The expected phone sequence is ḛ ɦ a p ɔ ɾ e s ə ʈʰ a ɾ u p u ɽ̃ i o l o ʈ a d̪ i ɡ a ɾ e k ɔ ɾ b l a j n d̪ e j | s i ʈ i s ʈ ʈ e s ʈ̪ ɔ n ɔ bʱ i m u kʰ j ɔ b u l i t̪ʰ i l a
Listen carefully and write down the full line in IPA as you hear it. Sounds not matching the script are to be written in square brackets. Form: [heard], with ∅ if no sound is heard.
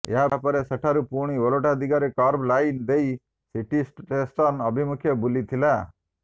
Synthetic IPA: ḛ ɦ a p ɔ ɾ e s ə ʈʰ a ɾ u p u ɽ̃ i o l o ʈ a d̪ i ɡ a ɾ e k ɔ ɾ b l a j n d̪ e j | s i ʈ i s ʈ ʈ e s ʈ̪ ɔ n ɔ bʱ i m u kʰ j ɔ b u l i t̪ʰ i l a